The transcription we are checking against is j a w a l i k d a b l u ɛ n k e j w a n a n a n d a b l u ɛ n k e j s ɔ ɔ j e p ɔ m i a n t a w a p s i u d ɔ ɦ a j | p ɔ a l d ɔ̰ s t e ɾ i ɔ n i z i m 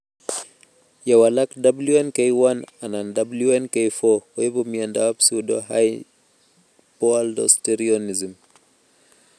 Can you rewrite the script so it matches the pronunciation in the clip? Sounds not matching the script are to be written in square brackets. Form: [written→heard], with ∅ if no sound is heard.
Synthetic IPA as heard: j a w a l [i→a] k d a b l u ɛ n k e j w a n a n a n d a b l u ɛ n k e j [s→f] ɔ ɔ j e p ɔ m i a n [t→d] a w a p s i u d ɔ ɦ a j | p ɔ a l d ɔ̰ s t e ɾ i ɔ n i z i m

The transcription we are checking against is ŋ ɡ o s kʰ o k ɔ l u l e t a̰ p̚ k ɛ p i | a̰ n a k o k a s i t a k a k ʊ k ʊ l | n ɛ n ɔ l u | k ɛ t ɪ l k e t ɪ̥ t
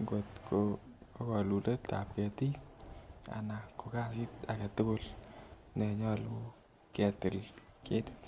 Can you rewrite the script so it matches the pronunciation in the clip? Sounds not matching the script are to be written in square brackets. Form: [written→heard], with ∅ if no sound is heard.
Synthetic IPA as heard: ŋ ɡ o [s→t] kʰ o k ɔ l u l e t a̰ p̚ k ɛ [p→t] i | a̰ n a k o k a s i t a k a [k→t] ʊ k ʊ l | n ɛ [n→ɲ] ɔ l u | k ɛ t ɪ l k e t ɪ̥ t

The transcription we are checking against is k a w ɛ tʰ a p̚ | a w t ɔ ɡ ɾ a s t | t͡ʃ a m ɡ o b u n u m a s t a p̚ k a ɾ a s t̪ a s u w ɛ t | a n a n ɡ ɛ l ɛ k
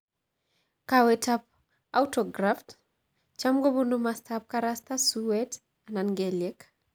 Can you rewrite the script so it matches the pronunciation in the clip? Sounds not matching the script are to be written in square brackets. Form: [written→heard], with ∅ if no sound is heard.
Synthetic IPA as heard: k a w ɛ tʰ a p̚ | a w t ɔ ɡ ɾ a [s→f] t | t͡ʃ a m ɡ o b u n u m a s t a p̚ k a ɾ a s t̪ a s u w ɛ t | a n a n ɡ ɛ l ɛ k

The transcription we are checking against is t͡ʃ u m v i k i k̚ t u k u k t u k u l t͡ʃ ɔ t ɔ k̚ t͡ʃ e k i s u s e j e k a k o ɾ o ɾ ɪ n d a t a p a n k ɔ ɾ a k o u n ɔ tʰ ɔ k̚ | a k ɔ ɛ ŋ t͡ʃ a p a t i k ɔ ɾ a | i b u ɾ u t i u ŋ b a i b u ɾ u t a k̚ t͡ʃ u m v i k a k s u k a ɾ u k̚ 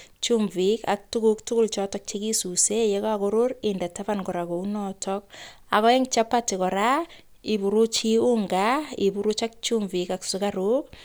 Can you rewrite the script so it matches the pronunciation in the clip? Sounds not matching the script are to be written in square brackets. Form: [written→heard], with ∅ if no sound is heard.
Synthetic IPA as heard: t͡ʃ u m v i k [i→a] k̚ t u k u k t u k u l t͡ʃ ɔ t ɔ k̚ t͡ʃ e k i s u s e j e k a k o ɾ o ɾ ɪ n d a t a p a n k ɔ ɾ a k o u n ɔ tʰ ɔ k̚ | a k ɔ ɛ ŋ t͡ʃ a p a t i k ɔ ɾ a | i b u ɾ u [t→t͡ʃ] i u ŋ [b→ɡ] a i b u ɾ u [t→t͡ʃ] a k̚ t͡ʃ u m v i k a k s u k a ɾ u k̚

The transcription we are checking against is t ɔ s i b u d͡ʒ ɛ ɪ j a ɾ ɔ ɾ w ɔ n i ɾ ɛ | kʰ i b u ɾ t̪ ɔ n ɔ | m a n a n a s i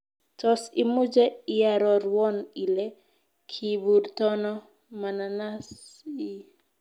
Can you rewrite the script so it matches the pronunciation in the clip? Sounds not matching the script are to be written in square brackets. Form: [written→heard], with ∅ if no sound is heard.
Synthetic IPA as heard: t ɔ s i [b→m] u d͡ʒ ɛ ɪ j a ɾ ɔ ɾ w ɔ n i [ɾ→l] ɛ | kʰ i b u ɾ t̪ ɔ n ɔ | m a n a n a s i

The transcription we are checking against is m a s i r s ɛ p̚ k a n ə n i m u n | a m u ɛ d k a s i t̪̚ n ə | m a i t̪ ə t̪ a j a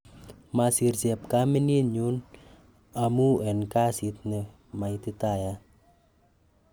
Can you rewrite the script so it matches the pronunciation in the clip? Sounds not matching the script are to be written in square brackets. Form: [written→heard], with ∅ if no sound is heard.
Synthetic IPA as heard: m a s i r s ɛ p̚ k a [n→m] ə n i [m→ɲ] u n | a m u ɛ [d→n] k a s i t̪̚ n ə | m a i t̪ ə t̪ a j a

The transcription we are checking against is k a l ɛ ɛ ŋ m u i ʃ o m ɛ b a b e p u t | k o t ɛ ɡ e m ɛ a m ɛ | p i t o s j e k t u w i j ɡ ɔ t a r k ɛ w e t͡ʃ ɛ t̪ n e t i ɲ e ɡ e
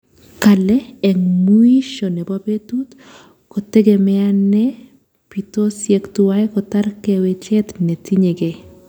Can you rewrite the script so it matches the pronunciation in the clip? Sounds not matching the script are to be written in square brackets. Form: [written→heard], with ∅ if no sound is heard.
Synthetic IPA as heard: k a l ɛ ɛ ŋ m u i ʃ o [m→n] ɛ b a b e [p→t] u t | k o t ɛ ɡ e m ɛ a [m→n] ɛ | p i t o s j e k t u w [i→a] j [ɡ→k] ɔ t a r k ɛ w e t͡ʃ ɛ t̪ n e t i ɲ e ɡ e

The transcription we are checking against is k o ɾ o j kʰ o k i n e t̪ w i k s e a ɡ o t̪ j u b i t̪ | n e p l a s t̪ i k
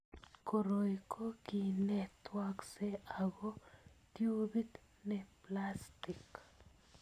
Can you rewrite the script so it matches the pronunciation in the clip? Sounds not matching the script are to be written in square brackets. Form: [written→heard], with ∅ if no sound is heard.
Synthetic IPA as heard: k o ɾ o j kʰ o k i n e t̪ w [i→a] k s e a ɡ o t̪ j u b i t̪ | n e p l a s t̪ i k

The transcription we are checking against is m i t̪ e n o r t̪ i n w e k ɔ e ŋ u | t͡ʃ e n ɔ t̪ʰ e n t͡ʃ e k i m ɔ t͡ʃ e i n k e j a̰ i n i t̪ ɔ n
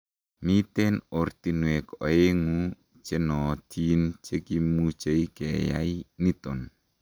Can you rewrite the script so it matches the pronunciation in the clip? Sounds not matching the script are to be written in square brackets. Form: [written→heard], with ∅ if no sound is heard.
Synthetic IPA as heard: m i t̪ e n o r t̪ i n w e k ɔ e ŋ u | t͡ʃ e n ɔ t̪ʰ [e→i] n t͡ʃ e k i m [ɔ→u] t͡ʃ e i [n→∅] k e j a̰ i n i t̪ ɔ n

